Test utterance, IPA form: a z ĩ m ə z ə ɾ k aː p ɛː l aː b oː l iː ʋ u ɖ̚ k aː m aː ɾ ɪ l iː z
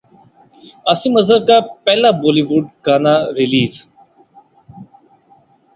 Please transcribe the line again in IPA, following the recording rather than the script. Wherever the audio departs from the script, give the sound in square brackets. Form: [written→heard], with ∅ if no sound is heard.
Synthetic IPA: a [z→s] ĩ m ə z ə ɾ k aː p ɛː l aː b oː l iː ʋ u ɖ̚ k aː [m→n] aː ɾ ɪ l iː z